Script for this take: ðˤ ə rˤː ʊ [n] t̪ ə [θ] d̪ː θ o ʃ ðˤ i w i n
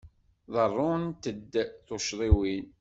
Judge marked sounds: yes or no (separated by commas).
yes, no